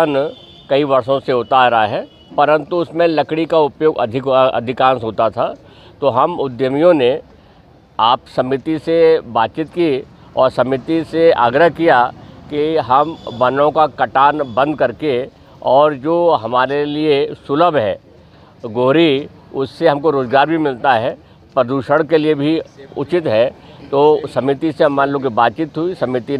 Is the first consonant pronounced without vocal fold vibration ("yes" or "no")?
no